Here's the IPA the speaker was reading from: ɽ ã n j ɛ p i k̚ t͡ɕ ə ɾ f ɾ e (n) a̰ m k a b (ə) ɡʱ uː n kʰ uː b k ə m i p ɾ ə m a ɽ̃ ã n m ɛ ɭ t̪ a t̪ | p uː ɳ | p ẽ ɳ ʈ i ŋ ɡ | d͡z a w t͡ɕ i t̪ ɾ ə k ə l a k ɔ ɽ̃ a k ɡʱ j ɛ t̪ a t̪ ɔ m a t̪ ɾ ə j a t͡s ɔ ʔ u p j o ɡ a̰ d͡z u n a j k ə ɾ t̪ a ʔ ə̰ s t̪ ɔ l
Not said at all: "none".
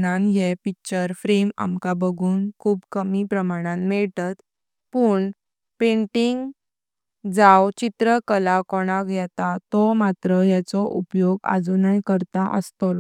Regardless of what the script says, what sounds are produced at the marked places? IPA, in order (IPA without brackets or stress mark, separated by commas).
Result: m, ə